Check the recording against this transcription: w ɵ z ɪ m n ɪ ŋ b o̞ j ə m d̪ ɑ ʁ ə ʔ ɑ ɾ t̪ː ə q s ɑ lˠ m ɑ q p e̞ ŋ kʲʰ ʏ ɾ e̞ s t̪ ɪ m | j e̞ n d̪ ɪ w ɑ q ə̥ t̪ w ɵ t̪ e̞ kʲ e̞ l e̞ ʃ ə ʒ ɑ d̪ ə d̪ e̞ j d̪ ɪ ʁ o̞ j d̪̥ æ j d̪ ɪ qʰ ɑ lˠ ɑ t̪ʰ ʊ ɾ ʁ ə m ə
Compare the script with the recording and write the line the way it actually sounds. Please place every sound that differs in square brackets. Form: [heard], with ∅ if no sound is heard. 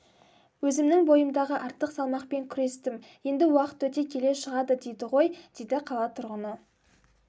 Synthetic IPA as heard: w ɵ z ɪ m n ɪ ŋ b o̞ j ə m d̪ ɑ ʁ ə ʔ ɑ ɾ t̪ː ə q s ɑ lˠ m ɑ q p e̞ ŋ kʲʰ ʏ ɾ e̞ s t̪ ɪ m | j e̞ n d̪ ɪ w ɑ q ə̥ t̪ w ɵ t̪ e̞ [kʲʰ] e̞ l e̞ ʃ ə [ʁ] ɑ d̪ ə d̪ e̞ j d̪ ɪ ʁ o̞ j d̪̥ [e] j d̪ ɪ qʰ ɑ lˠ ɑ t̪ʰ ʊ ɾ ʁ ə [n] ə

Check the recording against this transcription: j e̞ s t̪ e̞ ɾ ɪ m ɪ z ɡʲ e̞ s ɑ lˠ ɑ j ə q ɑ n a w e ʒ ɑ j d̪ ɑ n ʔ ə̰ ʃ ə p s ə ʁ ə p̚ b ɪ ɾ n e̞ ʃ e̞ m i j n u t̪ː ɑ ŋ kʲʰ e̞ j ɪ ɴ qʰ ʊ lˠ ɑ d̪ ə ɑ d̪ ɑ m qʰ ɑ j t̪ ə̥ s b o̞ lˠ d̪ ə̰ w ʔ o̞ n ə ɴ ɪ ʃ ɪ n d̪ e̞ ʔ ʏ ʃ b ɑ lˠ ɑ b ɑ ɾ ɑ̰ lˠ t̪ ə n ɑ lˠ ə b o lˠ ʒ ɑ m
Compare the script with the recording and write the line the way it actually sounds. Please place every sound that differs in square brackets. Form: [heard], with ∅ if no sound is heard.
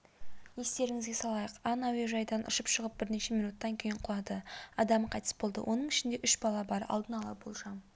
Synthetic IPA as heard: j e̞ s t̪ e̞ ɾ ɪ [ŋ] ɪ z ɡʲ e̞ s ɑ lˠ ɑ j ə q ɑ n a w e ʒ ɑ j d̪ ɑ n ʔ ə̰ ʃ ə p [ʃ] ə ʁ ə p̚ b ɪ ɾ n e̞ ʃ e̞ m i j n u t̪ː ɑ ŋ kʲʰ e̞ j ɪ ɴ qʰ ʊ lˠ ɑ d̪ ə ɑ d̪ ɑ m qʰ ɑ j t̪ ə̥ s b o̞ lˠ d̪ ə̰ w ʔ o̞ n ə ɴ ɪ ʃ ɪ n d̪ e̞ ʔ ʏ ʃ b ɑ lˠ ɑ b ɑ ɾ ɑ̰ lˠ [d̪] ə n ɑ lˠ [ɑ] b o lˠ ʒ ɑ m

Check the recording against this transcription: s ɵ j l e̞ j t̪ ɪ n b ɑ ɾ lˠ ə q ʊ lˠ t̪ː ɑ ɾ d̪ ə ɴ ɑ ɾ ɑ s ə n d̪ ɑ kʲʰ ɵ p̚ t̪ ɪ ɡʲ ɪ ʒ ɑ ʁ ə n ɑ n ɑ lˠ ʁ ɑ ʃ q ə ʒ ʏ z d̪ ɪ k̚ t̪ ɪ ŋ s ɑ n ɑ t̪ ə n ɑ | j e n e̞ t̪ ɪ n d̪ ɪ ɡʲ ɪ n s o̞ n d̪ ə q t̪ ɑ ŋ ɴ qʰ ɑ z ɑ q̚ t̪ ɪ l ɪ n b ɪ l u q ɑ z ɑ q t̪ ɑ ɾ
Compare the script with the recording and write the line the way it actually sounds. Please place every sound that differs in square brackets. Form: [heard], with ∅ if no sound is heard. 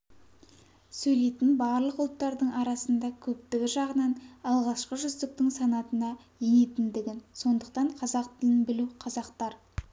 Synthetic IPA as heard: s ɵ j l e̞ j t̪ ɪ n b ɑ ɾ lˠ ə q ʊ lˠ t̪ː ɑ ɾ d̪ ə ɴ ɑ ɾ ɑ s ə n d̪ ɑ kʲʰ ɵ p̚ t̪ ɪ ɡʲ ɪ ʒ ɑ ʁ ə n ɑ n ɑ lˠ ʁ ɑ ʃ q ə ʒ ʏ z d̪ ɪ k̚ t̪ ɪ ŋ s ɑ n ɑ t̪ ə n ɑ | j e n e̞ t̪ ɪ n d̪ ɪ ɡʲ ɪ n s o̞ n d̪ ə q t̪ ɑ [∅] ɴ qʰ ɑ z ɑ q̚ t̪ ɪ l ɪ n b ɪ l u [qʰ] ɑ z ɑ q t̪ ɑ ɾ

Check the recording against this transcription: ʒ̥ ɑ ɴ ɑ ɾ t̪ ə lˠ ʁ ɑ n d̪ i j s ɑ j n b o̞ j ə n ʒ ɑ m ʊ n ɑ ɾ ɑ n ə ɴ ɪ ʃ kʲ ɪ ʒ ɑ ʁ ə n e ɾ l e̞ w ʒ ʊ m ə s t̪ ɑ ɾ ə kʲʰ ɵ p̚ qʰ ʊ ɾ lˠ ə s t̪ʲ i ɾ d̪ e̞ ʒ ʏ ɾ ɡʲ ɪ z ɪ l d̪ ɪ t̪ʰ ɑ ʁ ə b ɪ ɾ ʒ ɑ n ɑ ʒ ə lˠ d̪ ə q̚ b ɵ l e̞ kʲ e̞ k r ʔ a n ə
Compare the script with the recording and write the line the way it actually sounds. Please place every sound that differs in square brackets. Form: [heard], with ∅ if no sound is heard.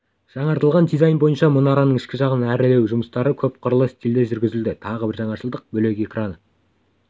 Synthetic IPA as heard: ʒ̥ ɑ ɴ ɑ ɾ t̪ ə lˠ ʁ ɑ n d̪ i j [z] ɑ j n b o̞ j ə n [ʃ] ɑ m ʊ n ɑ ɾ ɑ n ə ɴ ɪ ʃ kʲ ɪ ʒ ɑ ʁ ə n [æ] ɾ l e̞ w ʒ ʊ m ə s t̪ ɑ ɾ ə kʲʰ ɵ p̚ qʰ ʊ ɾ lˠ ə s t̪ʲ i [l] d̪ e̞ ʒ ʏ ɾ ɡʲ ɪ z ɪ l d̪ ɪ t̪ʰ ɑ ʁ ə b ɪ ɾ ʒ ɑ [ɴ] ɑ [ʃ] ə lˠ d̪ ə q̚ b ɵ l e̞ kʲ e̞ k r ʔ a n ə

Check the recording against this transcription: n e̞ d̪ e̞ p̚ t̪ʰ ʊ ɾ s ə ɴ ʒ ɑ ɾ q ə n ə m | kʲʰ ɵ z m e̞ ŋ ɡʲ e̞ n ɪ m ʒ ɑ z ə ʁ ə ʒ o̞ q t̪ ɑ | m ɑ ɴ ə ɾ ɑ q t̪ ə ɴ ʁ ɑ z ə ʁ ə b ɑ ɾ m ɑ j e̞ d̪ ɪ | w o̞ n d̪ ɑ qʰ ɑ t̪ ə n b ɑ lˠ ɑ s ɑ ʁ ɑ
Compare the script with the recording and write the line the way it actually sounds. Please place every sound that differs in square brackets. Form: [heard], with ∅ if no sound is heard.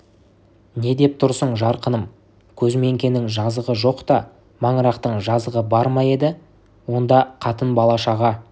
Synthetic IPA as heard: n e̞ d̪ e̞ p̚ t̪ʰ ʊ ɾ s ə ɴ ʒ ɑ ɾ q ə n ə m | kʲʰ ɵ z m e̞ ŋ [kʲ] e̞ n ɪ [ŋ] ʒ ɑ z ə ʁ ə ʒ o̞ q t̪ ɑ | m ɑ ɴ ə ɾ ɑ q t̪ ə ɴ [ʒ] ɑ z ə ʁ ə b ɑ ɾ m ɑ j e̞ d̪ ɪ | w o̞ n d̪ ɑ qʰ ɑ t̪ ə n b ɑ lˠ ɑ [ʃ] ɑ ʁ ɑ

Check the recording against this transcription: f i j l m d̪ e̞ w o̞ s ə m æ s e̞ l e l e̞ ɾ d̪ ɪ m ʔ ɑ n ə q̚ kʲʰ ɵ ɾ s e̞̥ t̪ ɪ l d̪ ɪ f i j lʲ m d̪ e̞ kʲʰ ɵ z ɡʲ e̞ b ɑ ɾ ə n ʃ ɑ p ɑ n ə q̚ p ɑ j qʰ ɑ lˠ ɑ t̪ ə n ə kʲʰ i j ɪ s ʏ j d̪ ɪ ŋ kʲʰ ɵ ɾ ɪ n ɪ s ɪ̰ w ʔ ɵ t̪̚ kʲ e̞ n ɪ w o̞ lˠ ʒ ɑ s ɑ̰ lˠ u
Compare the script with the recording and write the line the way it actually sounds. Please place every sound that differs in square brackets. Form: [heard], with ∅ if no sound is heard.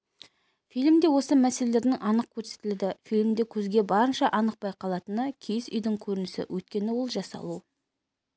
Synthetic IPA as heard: f i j l m d̪ e̞ w o̞ s ə m æ s e̞ l e l e̞ ɾ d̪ ɪ [ŋ] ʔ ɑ n ə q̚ kʲʰ ɵ ɾ s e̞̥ t̪ ɪ l d̪ ɪ f i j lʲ m d̪ e̞ kʲʰ ɵ z ɡʲ e̞ b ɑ ɾ ə n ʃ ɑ [ʔ] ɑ n ə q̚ p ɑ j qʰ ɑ lˠ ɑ t̪ ə n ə kʲʰ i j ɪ s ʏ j d̪ ɪ ŋ kʲʰ ɵ ɾ ɪ n ɪ s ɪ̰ w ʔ ɵ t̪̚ kʲ e̞ n ɪ w o̞ lˠ ʒ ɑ s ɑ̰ lˠ u

